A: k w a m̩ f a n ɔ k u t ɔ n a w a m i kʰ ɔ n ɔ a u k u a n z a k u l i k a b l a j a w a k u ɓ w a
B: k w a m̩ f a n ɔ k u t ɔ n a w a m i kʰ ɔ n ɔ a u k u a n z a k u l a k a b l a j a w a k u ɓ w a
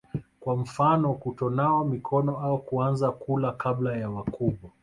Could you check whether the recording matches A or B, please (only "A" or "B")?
B